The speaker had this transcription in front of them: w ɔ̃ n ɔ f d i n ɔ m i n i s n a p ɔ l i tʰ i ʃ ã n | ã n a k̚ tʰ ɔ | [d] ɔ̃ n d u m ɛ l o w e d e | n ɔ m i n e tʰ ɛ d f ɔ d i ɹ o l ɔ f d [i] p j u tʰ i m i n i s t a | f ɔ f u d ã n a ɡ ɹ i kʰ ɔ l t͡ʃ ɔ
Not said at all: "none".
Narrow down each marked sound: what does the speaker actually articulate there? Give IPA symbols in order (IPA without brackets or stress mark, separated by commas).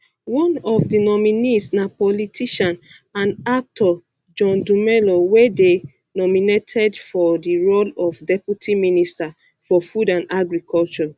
d͡ʒ, ɛ